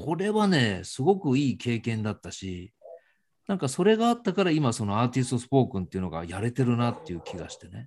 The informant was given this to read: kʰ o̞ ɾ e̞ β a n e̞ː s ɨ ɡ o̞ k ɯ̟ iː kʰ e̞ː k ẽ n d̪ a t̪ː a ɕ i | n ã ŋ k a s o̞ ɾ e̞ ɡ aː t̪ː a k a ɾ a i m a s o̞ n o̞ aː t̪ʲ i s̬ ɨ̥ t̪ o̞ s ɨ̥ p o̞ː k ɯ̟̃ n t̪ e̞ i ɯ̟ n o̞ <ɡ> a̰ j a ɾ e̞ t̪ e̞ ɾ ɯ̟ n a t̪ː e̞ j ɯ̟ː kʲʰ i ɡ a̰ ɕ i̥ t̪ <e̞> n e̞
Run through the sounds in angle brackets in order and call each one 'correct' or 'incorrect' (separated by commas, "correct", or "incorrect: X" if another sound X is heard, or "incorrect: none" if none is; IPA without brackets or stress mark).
correct, correct